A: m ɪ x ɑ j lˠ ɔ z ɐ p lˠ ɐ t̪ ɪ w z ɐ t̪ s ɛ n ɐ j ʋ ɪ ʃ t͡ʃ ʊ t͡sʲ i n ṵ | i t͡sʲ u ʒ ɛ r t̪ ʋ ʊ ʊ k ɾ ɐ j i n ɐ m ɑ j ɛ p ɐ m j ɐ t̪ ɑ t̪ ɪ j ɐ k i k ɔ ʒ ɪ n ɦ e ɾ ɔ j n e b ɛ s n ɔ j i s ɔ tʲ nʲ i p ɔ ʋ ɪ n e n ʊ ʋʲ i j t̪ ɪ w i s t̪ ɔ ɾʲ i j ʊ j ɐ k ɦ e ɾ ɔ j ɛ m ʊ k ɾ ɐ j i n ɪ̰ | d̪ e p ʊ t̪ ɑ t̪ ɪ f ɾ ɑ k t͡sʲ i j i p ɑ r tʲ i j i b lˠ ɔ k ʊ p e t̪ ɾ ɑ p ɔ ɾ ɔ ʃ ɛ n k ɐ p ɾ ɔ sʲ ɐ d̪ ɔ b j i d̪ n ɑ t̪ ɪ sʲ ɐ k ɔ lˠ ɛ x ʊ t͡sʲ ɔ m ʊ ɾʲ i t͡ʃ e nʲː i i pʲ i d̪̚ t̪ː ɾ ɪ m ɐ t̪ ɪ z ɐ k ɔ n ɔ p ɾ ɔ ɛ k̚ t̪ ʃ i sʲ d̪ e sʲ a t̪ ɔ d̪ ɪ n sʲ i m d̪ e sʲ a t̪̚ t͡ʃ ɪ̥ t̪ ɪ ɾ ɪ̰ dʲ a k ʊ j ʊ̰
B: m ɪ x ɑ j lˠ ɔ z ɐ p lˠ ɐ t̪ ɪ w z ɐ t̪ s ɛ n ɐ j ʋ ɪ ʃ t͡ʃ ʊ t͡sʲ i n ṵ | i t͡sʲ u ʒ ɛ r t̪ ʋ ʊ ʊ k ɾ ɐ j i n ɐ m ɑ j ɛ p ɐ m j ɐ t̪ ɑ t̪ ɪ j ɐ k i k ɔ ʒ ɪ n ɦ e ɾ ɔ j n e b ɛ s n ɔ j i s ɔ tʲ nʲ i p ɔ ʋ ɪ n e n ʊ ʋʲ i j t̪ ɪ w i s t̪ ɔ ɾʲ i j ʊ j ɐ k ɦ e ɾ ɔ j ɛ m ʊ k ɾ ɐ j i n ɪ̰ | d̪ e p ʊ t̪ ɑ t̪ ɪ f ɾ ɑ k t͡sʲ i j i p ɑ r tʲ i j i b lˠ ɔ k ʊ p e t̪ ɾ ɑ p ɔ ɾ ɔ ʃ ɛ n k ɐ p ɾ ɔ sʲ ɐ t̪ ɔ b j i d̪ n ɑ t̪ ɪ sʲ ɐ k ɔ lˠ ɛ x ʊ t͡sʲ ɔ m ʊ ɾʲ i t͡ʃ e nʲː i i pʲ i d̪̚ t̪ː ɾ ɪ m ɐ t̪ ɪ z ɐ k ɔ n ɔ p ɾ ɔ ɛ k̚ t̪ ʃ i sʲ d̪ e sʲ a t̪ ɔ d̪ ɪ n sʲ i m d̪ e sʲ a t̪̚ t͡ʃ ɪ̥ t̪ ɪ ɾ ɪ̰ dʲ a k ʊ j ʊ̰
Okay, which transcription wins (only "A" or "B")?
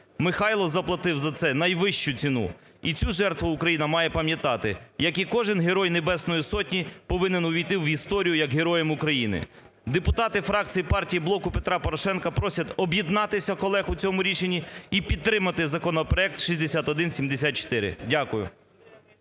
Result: B